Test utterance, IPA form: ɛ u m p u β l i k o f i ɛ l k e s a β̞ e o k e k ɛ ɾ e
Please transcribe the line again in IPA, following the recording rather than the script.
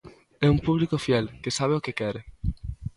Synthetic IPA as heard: ɛ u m p u β l i k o f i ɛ l k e s a β̞ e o k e k ɛ ɾ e

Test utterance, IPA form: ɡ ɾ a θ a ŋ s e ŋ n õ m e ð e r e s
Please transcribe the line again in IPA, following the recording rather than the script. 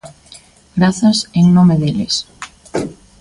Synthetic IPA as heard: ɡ ɾ a θ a s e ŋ n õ m e ð e l e s

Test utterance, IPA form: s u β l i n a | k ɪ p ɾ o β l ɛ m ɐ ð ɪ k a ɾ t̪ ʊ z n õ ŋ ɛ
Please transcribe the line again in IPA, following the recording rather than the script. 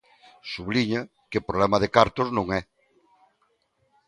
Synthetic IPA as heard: s u β l i ɲ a | k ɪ p ɾ o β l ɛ m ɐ ð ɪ k a ɾ t̪ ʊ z n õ ŋ ɛ

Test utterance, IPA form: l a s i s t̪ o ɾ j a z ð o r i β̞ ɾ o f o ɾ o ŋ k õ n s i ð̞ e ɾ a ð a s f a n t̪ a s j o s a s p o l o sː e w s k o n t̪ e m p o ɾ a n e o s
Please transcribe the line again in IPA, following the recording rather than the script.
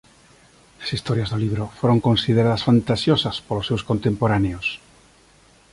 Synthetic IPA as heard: l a s i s t̪ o ɾ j a z ð o l i β̞ ɾ o f o ɾ o ŋ k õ n s i ð̞ e ɾ a ð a s f a n t̪ a s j o s a s p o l o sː e w s k o n t̪ e m p o ɾ a n e o s

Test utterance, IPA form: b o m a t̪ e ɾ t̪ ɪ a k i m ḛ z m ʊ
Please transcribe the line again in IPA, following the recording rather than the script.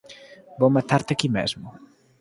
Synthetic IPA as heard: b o m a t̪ a ɾ t̪ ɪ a k i m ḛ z m ʊ

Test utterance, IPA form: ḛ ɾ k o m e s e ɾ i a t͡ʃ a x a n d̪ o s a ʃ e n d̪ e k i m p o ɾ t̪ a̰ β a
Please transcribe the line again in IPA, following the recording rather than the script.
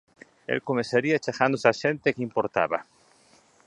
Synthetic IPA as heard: ḛ l k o m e s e ɾ i a t͡ʃ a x a n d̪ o s a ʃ e n t̪ e k i m p o ɾ t̪ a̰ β a

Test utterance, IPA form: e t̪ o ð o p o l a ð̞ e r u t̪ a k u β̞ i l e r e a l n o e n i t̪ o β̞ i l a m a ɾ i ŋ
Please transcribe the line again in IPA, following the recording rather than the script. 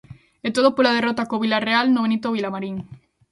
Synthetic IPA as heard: e t̪ o ð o p o l a ð̞ e r o t̪ a k o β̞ i l a r e a l n o e n i t̪ o β̞ i l a m a ɾ i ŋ

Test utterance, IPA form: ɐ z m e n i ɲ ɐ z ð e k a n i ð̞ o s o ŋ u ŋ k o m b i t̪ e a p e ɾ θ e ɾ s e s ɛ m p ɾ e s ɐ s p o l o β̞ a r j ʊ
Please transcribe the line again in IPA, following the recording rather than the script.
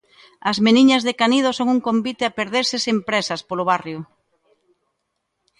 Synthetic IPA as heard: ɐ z m e n i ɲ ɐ z ð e k a n i ð̞ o s o ŋ u ŋ k o m b i t̪ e a p e ɾ ð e ɾ s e s e m p ɾ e s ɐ s p o l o β̞ a r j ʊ

